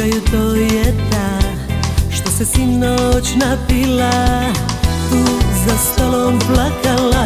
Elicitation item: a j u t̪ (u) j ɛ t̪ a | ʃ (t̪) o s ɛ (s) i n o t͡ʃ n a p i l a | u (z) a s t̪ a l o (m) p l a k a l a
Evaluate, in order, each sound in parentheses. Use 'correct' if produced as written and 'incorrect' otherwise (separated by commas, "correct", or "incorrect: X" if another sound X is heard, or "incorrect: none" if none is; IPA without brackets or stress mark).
incorrect: o, correct, correct, correct, correct